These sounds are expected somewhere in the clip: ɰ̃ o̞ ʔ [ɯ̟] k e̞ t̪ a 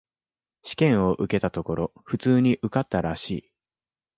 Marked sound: correct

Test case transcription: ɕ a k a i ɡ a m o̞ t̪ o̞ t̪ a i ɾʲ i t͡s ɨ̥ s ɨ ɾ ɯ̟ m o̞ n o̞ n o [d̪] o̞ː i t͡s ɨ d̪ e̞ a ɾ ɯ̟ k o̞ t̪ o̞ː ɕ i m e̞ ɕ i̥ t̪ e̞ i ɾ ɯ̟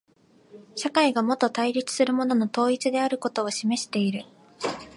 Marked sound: incorrect: t̪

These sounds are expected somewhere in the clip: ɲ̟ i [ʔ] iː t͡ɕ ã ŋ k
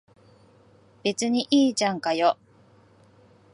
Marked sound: correct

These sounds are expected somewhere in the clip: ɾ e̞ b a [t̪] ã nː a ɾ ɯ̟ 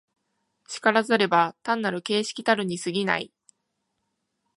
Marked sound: correct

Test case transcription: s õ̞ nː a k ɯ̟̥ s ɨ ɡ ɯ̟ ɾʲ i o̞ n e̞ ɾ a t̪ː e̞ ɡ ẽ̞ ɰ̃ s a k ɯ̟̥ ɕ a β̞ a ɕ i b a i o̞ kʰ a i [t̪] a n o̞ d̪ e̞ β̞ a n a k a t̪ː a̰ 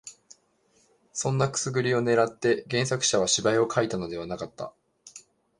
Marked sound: correct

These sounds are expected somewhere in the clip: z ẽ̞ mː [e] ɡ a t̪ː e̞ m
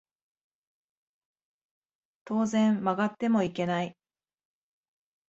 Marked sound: incorrect: a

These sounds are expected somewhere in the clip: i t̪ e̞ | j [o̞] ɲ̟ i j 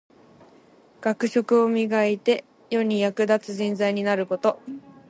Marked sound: correct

